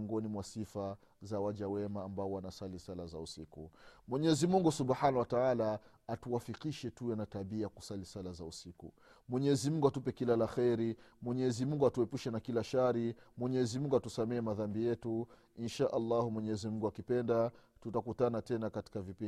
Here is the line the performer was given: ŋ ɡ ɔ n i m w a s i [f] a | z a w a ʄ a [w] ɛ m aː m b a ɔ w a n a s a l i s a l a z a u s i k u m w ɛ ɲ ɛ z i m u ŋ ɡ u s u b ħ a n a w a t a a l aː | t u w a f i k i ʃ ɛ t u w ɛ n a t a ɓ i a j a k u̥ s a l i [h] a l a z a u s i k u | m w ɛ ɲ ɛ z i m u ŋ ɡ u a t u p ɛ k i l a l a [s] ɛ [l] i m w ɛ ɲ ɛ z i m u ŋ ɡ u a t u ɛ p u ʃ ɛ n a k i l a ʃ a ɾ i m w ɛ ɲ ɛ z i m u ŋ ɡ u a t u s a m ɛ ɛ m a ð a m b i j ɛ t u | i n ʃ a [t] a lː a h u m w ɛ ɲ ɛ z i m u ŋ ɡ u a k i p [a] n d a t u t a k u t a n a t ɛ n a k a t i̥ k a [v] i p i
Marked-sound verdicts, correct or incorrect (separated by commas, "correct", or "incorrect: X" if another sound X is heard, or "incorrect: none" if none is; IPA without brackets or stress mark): correct, correct, incorrect: s, incorrect: x, incorrect: ɾ, incorrect: ʔ, incorrect: ɛ, correct